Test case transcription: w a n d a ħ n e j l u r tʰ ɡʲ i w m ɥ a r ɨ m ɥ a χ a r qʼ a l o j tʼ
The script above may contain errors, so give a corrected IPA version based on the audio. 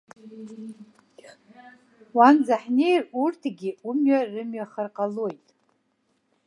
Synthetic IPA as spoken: w a n d͡z a ħ n e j r u r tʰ ɡʲ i u m ɥ a r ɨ m ɥ a χ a r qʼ a l o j tʼ

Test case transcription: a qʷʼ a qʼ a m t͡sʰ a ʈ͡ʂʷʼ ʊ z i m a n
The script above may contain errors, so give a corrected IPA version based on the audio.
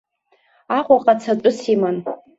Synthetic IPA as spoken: a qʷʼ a qʼ a t͡sʰ a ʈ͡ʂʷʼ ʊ s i m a n

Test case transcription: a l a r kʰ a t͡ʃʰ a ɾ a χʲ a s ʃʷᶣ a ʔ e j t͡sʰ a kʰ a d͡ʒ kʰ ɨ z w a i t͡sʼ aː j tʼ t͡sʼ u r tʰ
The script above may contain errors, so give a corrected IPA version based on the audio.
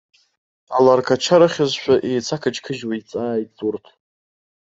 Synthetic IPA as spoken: a l a r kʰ a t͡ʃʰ a ɾ a χʲ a z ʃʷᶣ a ʔ e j t͡sʰ a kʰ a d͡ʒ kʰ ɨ ʒ w a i t͡sʼ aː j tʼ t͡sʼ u r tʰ

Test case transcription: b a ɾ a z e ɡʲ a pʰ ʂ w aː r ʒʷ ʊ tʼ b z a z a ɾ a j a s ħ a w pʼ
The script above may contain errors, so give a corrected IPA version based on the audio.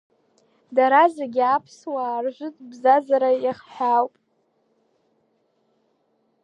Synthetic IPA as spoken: d a ɾ a z e ɡʲ a pʰ s w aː r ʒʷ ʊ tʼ b z a z a ɾ a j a χ ħ a w pʼ

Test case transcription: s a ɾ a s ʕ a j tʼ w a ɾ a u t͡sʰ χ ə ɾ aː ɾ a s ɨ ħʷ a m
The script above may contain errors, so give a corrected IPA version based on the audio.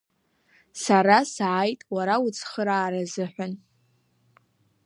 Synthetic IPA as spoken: s a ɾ a s ʕ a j tʼ w a ɾ a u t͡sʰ χ ə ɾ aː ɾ a z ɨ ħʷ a n

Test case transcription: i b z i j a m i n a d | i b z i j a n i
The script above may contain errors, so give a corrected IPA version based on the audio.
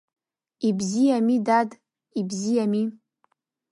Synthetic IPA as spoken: i b z i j a m i d a d | i b z i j a m i

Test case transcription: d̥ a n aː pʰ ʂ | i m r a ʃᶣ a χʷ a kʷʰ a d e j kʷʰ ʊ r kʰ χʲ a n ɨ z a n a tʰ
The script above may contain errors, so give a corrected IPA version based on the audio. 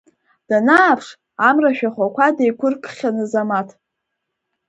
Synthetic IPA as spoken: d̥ a n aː pʰ ʂ | a m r a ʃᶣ a χʷ a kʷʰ a d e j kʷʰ ʊ r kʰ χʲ a n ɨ z a m a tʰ

